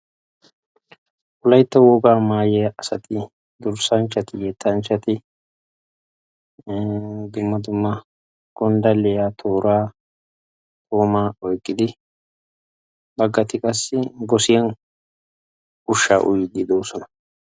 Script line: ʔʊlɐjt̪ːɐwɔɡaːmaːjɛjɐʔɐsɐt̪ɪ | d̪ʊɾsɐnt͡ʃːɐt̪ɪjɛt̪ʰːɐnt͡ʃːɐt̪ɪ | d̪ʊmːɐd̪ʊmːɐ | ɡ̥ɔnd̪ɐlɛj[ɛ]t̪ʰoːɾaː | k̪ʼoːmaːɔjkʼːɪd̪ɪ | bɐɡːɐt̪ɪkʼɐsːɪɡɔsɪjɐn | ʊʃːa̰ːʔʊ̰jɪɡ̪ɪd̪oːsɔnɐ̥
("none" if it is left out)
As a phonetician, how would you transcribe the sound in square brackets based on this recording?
a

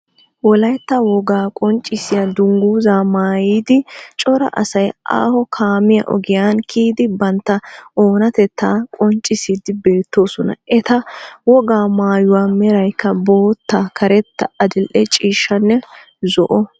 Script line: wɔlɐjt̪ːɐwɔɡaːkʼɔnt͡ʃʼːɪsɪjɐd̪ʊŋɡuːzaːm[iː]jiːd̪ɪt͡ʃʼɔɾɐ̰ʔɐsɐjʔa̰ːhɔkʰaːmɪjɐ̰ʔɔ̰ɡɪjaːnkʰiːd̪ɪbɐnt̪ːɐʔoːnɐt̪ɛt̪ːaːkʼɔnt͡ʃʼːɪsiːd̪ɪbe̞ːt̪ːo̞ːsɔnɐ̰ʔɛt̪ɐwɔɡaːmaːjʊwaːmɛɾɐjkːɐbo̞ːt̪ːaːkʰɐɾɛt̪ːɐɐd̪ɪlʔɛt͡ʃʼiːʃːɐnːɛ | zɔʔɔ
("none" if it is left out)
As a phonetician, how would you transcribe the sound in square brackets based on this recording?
aː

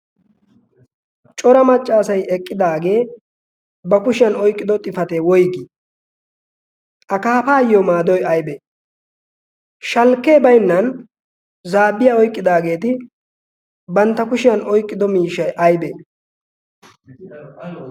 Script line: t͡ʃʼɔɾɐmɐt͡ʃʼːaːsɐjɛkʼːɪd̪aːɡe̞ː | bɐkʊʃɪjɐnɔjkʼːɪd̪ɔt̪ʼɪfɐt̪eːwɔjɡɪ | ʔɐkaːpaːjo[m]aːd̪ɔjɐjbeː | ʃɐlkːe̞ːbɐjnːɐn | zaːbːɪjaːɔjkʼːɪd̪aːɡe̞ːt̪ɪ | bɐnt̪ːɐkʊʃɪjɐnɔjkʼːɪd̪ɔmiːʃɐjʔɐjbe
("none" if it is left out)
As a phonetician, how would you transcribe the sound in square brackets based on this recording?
m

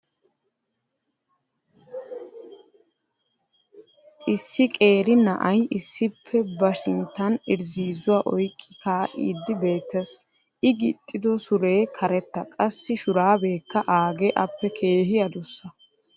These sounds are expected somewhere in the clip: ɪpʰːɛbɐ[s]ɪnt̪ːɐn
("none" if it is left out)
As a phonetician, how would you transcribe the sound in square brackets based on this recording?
ʃ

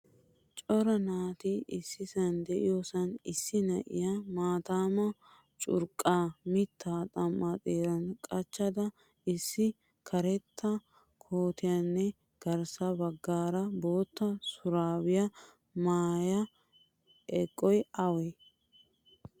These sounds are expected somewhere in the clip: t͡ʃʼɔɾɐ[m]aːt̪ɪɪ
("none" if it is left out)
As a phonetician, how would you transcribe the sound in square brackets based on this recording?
n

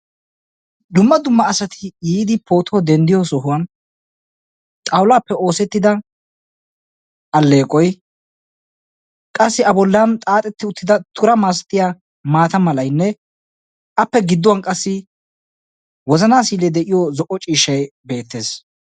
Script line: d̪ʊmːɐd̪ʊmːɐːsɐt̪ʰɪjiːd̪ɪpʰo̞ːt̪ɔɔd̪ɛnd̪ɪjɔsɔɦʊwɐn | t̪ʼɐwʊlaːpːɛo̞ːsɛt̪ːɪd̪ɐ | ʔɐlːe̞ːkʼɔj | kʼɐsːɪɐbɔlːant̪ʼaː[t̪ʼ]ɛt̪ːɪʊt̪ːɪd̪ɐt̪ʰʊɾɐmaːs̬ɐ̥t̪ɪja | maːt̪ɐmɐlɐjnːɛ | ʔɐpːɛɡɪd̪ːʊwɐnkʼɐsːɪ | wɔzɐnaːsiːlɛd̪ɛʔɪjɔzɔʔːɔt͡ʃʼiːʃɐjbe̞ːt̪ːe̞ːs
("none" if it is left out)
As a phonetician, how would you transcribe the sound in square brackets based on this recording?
t̪ʼ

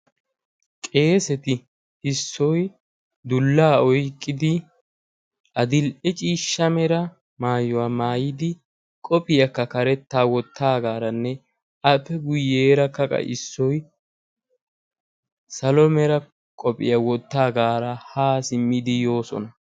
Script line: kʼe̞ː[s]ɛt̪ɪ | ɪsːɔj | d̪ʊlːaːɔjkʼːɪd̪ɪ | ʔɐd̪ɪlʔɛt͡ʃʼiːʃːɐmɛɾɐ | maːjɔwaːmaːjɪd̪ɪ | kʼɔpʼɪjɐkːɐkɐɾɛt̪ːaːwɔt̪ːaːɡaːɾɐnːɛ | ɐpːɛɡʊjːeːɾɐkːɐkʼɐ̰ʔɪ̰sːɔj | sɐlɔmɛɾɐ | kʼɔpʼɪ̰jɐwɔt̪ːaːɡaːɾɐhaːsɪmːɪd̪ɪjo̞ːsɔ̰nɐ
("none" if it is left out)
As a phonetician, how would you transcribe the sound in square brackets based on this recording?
s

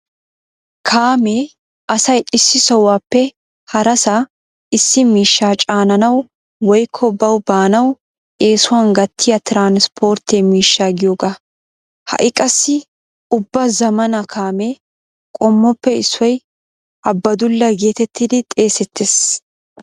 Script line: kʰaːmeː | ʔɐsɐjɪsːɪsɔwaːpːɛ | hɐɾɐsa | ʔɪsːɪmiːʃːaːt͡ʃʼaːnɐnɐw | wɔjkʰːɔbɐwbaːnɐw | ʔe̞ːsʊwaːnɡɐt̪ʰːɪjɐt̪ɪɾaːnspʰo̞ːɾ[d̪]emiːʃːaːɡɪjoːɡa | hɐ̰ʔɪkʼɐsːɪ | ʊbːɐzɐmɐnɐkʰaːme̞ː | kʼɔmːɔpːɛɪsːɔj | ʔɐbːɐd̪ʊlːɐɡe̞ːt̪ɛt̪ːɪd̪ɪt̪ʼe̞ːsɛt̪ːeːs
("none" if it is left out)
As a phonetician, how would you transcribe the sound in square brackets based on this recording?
t̪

